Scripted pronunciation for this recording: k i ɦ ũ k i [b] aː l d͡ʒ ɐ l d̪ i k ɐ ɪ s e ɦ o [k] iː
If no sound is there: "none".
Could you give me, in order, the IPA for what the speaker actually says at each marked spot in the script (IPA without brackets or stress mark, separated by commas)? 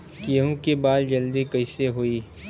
b, none